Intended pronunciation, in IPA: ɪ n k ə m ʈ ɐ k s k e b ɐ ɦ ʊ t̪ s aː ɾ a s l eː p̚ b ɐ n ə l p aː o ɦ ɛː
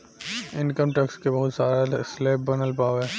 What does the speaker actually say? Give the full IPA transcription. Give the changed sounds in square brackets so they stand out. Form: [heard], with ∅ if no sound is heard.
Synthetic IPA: ɪ n k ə m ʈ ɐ k s k e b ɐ ɦ ʊ t̪ s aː ɾ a s l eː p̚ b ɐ n ə l p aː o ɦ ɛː